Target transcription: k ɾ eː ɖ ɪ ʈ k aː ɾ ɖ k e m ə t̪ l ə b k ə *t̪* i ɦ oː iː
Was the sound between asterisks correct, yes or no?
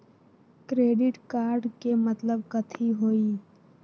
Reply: no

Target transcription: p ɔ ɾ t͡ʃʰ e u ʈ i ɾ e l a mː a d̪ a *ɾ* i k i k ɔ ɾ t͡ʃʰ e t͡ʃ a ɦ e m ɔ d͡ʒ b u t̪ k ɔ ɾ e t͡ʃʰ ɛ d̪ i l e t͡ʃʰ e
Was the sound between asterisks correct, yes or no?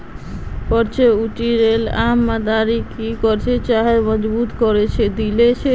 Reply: yes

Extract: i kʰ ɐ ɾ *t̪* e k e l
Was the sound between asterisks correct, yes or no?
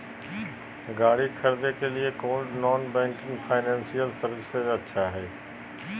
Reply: no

